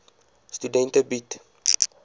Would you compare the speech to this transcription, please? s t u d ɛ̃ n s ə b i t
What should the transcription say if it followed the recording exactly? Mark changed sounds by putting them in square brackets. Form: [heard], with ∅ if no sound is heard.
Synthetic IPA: s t u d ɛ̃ n [t] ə b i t